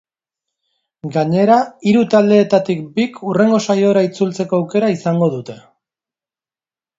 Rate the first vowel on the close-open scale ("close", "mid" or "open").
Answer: open